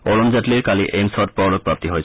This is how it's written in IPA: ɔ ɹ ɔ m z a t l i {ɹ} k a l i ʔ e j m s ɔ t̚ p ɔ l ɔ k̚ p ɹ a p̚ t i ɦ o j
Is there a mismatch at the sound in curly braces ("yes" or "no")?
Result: no